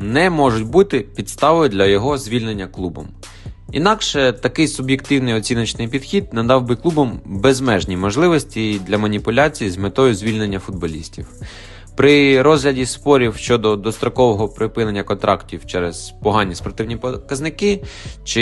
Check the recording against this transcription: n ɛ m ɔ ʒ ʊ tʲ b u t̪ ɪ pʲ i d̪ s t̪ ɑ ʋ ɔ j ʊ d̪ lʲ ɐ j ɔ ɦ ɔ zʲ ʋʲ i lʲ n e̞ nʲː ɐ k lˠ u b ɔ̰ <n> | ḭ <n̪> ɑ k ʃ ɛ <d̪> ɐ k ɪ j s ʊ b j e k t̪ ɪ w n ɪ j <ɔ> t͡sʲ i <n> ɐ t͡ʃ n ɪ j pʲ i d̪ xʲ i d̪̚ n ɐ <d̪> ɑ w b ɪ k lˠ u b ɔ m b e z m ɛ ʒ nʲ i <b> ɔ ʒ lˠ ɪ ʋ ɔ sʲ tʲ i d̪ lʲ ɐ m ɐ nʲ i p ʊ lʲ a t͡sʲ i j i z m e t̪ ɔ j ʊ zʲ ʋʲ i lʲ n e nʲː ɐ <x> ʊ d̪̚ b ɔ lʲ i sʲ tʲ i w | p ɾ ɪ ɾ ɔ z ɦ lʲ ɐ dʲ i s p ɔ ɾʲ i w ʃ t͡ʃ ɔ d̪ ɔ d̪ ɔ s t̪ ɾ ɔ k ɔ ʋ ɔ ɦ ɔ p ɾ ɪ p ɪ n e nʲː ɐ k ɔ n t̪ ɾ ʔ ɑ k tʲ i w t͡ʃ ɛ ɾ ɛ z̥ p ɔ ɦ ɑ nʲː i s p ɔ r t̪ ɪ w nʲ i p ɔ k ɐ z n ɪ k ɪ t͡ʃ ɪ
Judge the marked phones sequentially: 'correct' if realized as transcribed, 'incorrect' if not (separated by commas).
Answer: incorrect, correct, incorrect, correct, correct, correct, incorrect, incorrect